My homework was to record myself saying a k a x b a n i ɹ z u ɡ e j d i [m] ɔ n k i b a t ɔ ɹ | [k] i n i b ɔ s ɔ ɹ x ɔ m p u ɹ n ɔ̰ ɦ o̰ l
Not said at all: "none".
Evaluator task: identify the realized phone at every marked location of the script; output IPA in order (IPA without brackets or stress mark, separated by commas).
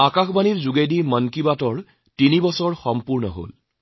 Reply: m, t